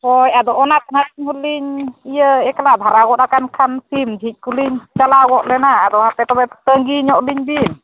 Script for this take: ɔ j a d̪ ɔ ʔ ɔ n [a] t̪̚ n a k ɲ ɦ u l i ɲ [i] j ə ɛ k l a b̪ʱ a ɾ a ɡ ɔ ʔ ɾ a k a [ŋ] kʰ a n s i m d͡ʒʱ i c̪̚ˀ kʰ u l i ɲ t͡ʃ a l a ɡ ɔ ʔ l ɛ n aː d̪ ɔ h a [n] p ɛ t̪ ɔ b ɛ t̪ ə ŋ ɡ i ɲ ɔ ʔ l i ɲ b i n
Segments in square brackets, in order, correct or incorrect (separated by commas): correct, correct, incorrect, incorrect